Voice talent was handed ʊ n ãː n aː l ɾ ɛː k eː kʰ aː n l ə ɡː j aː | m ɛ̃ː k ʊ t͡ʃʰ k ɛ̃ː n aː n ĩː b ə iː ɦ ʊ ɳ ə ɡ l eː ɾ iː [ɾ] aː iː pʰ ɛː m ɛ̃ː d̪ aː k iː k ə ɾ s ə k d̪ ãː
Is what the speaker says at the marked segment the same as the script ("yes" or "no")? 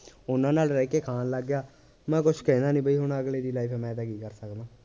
no